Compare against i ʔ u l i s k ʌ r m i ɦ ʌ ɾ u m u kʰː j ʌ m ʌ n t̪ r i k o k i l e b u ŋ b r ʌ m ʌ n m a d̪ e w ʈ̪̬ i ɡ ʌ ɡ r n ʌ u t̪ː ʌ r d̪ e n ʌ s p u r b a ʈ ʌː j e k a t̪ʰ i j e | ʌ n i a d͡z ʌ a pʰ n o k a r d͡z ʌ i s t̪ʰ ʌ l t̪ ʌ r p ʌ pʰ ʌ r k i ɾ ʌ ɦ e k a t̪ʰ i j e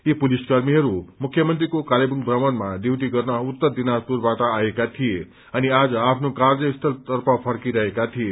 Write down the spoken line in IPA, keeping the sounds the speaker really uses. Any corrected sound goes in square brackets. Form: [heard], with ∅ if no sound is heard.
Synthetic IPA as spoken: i [p] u l i s k ʌ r m i ɦ ʌ ɾ u m u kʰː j ʌ m ʌ n t̪ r i k o k [a] l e b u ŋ b r ʌ m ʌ n m a d̪ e w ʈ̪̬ i ɡ ʌ [∅] r n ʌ u t̪ː ʌ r d̪ [i] n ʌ s p u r b a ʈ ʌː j e k a t̪ʰ i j e | ʌ n i a d͡z ʌ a pʰ n o k a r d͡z ʌ i s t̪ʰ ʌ l t̪ ʌ r p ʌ pʰ ʌ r k i ɾ ʌ ɦ e k a t̪ʰ i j e